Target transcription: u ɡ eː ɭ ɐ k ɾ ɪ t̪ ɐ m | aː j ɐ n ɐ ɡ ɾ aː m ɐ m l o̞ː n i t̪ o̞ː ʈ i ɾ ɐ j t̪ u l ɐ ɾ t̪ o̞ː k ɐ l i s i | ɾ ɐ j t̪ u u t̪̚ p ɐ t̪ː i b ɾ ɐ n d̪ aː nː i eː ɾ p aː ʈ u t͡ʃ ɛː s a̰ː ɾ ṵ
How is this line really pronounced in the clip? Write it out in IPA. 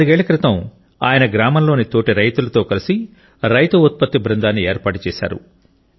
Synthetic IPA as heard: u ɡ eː ɭ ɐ k ɾ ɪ t̪ ɐ m | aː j ɐ n ɐ ɡ ɾ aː m ɐ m l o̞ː n i t̪ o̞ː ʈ i ɾ ɐ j t̪ u l ɐ t̪ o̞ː k ɐ l i s i | ɾ ɐ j t̪ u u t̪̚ p ɐ t̪ː i b ɾ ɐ n d̪ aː nː i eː ɾ p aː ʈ u t͡ʃ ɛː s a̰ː ɾ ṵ